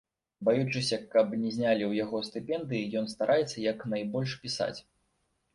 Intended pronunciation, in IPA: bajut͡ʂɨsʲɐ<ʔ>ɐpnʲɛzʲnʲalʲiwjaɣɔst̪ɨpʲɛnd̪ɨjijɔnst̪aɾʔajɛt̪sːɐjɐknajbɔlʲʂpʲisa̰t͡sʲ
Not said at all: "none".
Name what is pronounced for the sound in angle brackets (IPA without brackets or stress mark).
k